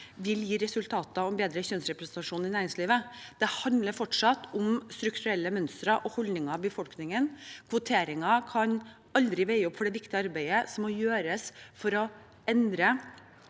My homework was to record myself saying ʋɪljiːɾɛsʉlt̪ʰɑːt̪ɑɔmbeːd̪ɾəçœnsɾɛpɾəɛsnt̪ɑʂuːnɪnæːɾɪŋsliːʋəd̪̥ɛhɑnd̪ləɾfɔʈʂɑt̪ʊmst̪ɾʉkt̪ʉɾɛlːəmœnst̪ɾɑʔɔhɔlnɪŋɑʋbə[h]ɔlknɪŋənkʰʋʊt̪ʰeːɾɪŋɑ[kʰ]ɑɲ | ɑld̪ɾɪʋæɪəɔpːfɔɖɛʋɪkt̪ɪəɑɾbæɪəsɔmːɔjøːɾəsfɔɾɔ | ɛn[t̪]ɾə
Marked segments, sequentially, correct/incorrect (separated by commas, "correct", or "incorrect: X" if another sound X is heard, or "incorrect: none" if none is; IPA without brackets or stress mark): incorrect: f, correct, incorrect: d̪